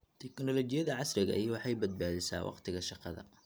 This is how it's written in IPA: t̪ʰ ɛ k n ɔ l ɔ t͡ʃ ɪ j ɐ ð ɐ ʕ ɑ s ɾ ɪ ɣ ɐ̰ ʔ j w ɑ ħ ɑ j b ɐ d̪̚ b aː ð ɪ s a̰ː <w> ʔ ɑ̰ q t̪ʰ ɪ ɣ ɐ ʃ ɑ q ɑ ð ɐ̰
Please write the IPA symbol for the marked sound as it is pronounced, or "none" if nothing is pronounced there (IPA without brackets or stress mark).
w